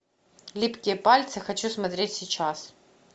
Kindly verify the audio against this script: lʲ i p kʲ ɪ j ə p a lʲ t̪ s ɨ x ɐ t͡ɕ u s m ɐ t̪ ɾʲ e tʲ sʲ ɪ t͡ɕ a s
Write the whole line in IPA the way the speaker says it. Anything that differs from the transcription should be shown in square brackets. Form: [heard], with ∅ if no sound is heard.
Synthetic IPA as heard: lʲ i p kʲ ɪ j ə p a lʲ t̪ s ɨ x ɐ t͡ɕ u s m ɐ t̪ ɾʲ e tʲ sʲ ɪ t͡ɕ a s